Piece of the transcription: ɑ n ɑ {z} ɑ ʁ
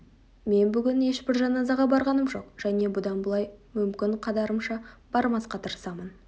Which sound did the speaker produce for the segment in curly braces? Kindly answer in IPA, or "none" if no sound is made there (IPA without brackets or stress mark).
z